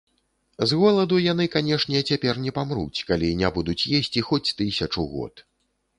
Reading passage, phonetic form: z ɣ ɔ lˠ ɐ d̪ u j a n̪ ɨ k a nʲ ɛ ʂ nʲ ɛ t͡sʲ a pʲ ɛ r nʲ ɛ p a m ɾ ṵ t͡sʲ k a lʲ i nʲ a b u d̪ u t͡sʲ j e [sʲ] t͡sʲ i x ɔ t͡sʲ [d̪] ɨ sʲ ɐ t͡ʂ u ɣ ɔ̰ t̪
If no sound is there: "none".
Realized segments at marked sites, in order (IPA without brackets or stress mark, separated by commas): sʲ, t̪